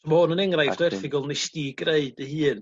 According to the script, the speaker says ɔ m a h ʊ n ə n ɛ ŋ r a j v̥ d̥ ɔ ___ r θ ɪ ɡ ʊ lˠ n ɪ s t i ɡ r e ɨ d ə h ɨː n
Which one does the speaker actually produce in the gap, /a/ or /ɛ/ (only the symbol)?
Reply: ɛ